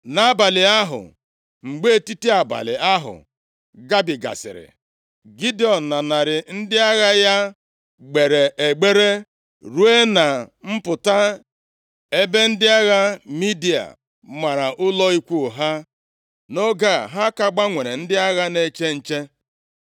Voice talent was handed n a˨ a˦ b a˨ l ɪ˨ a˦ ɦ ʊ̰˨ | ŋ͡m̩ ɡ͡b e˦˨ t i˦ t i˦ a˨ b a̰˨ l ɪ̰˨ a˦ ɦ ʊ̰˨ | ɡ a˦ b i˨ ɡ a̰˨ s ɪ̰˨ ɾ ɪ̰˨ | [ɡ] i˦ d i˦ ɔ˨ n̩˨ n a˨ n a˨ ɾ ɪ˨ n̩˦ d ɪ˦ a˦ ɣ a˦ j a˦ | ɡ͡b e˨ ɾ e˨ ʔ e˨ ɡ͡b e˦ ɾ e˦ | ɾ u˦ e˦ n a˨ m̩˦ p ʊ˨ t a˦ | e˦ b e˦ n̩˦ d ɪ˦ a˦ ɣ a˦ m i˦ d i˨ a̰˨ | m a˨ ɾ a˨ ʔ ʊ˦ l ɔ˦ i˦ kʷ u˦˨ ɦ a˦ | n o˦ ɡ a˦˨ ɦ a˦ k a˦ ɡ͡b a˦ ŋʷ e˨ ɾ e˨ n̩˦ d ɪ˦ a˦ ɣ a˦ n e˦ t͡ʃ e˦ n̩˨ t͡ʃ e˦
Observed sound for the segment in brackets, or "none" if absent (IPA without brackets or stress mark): ɡ